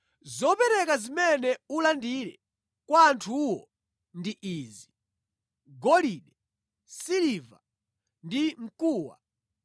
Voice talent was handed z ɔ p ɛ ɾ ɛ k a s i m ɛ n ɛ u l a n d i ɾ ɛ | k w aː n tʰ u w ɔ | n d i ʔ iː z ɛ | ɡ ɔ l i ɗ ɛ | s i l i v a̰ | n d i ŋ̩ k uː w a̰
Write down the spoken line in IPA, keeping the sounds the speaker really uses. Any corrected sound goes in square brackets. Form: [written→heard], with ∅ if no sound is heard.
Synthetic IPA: z ɔ p ɛ ɾ ɛ k a [s→z] i m ɛ n ɛ u l a n d i ɾ ɛ | k w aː n tʰ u w ɔ | n d i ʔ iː z [ɛ→i] | ɡ ɔ l i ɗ ɛ | s i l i v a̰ | n d i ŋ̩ k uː w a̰